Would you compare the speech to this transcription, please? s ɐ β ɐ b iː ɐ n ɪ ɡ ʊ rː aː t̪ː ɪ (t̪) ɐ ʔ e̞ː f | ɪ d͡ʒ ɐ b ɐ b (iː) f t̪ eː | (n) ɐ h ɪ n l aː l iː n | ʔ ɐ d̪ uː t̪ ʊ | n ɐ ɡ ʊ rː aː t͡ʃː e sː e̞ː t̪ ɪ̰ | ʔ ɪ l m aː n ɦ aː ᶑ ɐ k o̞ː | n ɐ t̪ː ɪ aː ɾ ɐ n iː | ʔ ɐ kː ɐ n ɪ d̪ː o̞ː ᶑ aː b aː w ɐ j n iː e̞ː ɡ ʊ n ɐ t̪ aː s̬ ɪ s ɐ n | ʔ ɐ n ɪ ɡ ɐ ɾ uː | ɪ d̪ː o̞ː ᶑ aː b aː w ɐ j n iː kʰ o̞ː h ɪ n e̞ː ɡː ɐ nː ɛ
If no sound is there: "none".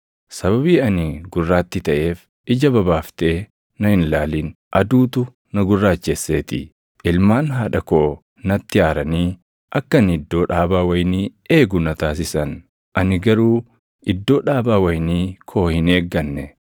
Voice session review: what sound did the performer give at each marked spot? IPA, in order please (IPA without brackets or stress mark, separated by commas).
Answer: t̪, aː, n